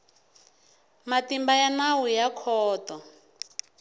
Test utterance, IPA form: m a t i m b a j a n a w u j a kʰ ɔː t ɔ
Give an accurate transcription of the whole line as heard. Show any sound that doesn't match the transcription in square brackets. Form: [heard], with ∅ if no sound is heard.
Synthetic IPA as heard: m a t i m b a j a n a w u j a kʰ ɔː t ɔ